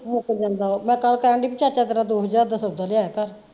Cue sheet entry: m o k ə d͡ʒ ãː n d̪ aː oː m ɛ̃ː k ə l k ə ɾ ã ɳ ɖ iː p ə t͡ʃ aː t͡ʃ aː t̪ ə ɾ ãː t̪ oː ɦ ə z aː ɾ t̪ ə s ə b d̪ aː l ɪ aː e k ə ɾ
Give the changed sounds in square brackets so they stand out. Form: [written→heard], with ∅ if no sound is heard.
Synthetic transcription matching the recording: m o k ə d͡ʒ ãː n d̪ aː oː m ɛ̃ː k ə l k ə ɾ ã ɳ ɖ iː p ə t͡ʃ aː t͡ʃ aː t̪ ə ɾ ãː [t̪→d̪] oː ɦ ə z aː ɾ [t̪→d̪] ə s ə b d̪ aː l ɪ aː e k ə ɾ

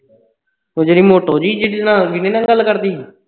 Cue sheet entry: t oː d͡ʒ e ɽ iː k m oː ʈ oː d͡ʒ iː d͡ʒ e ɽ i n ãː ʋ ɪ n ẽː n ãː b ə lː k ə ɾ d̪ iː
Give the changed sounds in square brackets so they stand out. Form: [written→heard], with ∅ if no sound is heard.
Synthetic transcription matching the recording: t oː d͡ʒ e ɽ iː [k→∅] m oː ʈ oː d͡ʒ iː d͡ʒ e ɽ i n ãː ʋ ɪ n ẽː n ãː [b→ɡ] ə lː k ə ɾ d̪ iː

